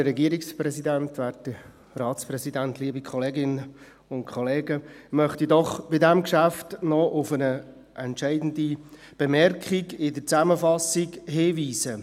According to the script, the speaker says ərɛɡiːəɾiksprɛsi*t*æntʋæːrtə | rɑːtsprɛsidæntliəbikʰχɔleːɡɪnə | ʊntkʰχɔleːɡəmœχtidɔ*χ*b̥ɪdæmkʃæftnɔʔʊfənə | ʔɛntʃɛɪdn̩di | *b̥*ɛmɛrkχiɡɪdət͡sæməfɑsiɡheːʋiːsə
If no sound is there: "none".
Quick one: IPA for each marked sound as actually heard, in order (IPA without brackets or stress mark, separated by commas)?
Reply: d, χ, b̥